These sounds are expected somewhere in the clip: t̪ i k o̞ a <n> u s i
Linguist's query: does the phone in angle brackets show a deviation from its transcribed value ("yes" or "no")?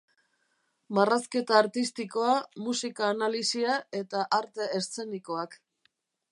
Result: yes